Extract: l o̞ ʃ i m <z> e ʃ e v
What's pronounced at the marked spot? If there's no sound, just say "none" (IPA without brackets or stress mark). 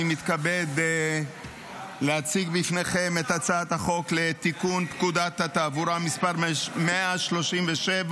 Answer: v